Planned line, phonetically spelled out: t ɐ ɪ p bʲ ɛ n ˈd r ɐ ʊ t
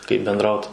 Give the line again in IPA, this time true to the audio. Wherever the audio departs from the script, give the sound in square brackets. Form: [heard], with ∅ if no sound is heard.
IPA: [k] ɐ ɪ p bʲ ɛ n ˈd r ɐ ʊ t